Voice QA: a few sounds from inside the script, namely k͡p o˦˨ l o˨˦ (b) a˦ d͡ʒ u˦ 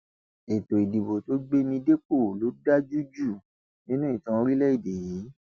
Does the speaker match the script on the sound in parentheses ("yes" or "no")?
no